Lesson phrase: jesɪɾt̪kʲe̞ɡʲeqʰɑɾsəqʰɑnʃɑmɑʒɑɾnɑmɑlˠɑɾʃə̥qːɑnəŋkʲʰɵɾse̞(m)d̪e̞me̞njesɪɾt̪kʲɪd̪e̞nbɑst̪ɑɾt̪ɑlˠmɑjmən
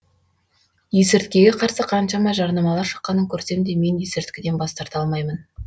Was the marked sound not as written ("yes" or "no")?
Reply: no